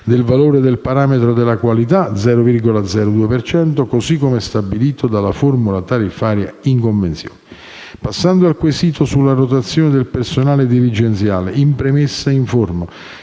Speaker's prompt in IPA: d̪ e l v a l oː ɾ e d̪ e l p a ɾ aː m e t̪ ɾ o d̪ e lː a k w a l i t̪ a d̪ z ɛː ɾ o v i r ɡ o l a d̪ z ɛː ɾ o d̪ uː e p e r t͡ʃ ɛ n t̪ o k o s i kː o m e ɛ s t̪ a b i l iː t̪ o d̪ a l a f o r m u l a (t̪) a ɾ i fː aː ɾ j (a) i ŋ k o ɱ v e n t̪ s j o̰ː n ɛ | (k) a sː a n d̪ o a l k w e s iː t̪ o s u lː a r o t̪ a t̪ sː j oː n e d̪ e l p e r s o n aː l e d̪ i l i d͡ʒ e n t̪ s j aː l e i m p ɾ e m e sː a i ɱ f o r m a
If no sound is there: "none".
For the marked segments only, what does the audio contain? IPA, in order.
t̪, a, p

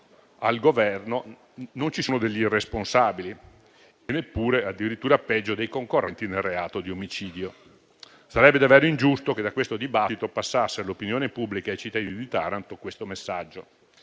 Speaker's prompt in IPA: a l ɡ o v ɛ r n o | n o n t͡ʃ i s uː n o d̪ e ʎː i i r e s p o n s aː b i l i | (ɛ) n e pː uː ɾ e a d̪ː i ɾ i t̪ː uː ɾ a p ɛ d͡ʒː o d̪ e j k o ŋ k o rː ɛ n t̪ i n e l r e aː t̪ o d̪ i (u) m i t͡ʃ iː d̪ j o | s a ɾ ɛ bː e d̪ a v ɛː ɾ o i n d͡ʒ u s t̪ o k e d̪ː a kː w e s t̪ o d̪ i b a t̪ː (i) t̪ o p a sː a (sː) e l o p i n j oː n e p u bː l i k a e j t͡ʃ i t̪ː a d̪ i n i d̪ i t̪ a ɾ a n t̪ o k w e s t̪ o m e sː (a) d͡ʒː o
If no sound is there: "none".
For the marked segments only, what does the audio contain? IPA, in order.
e, o, i, sː, a

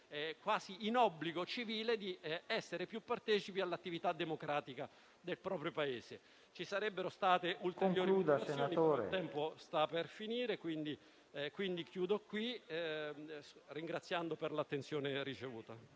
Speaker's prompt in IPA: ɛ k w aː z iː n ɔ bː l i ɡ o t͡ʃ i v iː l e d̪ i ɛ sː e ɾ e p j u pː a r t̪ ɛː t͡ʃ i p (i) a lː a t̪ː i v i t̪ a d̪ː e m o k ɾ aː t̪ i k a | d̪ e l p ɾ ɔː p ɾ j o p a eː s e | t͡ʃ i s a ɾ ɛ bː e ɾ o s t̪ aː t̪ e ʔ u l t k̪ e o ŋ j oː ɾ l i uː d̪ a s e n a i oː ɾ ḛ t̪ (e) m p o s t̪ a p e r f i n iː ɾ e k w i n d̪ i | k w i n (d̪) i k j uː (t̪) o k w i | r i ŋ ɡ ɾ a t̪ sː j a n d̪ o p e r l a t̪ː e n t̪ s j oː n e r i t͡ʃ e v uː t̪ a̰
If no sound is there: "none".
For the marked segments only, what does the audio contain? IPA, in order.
i, ɛ, d̪, d̪

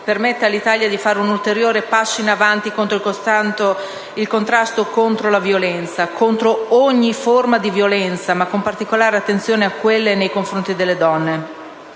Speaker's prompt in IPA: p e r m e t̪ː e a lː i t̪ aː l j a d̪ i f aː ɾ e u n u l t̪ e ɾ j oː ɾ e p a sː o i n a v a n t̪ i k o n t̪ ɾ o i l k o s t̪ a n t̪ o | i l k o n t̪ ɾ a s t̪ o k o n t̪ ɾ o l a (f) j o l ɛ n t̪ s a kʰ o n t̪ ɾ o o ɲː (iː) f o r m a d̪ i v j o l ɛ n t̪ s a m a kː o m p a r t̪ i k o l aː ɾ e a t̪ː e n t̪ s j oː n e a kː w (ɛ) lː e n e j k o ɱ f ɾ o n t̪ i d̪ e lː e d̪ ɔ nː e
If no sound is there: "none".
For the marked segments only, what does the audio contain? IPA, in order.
v, i, e

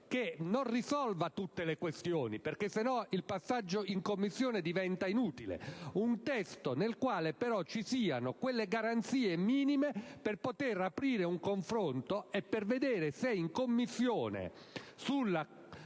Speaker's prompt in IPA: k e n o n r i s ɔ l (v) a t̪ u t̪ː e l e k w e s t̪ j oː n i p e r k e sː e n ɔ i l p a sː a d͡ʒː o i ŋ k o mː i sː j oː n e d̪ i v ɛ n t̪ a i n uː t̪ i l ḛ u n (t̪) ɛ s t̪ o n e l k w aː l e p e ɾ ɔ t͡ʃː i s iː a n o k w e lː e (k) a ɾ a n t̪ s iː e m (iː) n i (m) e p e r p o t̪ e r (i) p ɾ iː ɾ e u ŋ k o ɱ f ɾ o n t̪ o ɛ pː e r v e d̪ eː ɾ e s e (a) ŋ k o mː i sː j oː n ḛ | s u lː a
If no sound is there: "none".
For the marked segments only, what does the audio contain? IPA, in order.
v, t̪, ɡ, iː, m, a, i

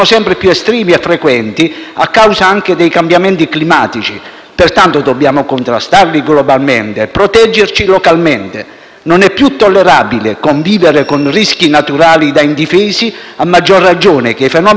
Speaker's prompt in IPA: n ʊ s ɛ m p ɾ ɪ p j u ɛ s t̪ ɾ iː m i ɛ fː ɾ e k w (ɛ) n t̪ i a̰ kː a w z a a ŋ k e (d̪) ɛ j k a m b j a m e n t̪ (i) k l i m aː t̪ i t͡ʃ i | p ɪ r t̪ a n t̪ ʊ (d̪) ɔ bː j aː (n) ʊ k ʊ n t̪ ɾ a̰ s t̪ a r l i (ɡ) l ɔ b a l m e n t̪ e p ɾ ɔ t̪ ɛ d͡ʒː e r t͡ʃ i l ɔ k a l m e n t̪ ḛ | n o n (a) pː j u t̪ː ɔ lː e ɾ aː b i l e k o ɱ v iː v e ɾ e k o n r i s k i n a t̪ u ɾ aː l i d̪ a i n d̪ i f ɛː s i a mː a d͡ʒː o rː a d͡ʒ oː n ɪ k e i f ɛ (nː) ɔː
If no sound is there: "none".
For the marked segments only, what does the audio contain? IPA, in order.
ɛ, d̪, i, d̪, m, ɡ, ɛ, n

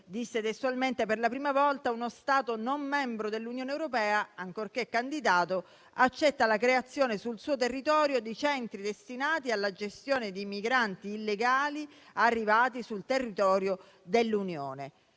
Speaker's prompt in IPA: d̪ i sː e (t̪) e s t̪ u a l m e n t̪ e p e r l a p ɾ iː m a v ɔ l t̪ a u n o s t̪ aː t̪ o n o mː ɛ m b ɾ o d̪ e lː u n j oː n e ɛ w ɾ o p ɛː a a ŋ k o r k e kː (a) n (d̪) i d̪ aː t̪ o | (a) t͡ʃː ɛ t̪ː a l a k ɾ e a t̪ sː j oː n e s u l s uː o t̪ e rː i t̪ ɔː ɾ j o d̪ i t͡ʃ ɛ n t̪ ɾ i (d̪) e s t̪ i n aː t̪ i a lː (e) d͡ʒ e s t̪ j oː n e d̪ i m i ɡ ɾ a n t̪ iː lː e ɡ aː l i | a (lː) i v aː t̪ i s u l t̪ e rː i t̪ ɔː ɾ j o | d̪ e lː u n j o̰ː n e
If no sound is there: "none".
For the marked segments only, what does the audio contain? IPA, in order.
t̪, a, d̪, a, d̪, a, rː

